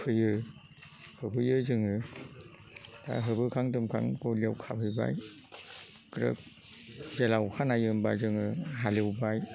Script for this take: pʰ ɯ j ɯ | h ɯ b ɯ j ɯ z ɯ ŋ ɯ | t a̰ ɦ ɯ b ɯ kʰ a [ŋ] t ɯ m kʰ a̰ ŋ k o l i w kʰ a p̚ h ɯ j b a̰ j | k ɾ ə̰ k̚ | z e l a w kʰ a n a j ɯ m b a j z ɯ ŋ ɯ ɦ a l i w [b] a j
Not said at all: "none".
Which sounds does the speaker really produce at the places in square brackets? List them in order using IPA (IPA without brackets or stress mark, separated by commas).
ŋ, b